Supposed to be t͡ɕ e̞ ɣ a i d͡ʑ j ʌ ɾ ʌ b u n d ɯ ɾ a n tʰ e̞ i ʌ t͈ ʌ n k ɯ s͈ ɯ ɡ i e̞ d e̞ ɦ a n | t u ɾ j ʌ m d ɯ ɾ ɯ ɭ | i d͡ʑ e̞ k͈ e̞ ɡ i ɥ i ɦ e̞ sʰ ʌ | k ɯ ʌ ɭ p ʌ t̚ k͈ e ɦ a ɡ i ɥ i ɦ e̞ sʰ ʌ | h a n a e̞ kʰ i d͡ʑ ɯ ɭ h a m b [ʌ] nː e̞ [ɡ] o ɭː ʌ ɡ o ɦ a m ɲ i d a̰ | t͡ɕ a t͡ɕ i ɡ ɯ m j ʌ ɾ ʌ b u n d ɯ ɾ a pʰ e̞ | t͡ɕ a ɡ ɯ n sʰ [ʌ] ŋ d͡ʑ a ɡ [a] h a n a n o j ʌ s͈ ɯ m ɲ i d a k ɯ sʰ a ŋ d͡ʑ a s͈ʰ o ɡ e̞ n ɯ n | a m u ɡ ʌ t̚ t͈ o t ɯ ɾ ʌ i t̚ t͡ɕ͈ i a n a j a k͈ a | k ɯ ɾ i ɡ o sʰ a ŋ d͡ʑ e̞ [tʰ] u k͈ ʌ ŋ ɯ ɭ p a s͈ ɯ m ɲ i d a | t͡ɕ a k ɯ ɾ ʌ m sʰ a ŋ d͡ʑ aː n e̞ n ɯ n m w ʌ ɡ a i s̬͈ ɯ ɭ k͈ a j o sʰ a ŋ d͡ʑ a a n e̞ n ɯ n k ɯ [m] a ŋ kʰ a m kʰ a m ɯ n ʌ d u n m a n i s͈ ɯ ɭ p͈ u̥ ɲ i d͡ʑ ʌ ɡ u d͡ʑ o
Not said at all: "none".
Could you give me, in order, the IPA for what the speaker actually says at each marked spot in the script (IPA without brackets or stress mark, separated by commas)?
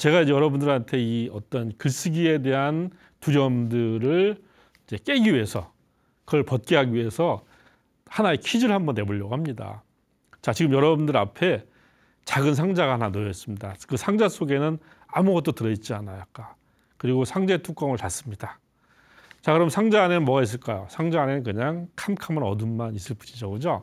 ʌ, b, a, a, tʰ, ɲ